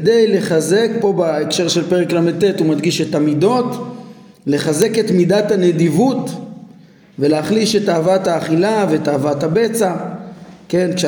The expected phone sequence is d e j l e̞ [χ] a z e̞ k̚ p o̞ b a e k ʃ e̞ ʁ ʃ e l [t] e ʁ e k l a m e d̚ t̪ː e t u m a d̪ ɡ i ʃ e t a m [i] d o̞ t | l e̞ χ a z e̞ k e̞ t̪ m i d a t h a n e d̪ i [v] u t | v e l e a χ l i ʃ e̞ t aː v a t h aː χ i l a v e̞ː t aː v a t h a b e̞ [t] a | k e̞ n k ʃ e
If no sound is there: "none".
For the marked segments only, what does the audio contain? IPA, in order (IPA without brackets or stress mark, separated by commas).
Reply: χ, p, i, v, t͡s